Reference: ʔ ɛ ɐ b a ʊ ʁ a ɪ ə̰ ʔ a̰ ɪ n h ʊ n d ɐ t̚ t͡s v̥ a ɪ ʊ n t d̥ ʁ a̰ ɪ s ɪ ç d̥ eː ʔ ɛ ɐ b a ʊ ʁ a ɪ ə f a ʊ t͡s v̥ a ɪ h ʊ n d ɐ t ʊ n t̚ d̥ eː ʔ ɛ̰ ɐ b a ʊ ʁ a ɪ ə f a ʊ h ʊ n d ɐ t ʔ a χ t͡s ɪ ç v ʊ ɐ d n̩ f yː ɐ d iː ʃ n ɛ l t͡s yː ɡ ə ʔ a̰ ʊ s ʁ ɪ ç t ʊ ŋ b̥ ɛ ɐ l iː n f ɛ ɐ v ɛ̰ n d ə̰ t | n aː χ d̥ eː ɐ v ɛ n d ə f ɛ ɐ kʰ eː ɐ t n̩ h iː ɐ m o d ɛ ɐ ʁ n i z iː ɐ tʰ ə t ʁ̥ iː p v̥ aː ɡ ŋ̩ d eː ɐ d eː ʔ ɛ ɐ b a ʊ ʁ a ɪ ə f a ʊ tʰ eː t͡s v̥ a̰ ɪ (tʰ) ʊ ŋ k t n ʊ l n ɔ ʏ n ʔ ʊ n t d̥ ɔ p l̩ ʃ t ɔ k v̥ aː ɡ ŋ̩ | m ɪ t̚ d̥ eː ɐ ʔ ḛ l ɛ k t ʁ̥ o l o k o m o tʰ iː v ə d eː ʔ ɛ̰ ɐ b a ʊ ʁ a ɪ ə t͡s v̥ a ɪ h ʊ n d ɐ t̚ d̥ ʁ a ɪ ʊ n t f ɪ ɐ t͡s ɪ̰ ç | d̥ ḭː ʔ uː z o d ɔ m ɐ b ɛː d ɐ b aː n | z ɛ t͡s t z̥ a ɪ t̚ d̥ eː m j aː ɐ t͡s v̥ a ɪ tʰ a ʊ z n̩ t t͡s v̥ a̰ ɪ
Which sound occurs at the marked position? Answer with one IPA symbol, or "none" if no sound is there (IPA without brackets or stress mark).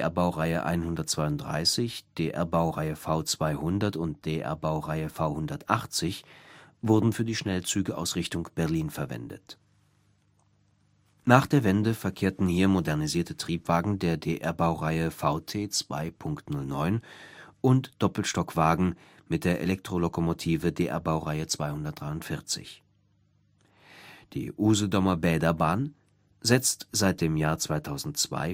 pʰ